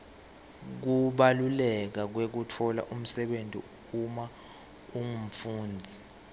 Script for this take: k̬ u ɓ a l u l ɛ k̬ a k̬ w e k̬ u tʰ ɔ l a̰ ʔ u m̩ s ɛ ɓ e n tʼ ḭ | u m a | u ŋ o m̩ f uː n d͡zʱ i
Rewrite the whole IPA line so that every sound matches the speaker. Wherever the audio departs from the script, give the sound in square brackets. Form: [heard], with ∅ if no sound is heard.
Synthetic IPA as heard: k̬ u ɓ a l u l ɛ k̬ a k̬ w e k̬ u tʰ ɔ l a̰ ʔ u m̩ s ɛ ɓ e n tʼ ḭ | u m a | u ŋ [u] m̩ f uː n d͡zʱ i